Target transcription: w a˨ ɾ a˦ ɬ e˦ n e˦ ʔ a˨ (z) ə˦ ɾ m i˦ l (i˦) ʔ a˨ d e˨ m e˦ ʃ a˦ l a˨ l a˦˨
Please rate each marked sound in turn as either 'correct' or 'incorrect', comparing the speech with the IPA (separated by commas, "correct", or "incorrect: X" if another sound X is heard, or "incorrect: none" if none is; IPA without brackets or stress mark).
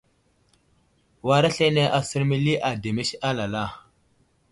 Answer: incorrect: s, correct